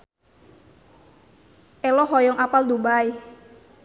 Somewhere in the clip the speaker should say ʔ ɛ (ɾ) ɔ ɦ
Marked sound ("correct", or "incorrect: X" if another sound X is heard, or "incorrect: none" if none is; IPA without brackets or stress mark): incorrect: l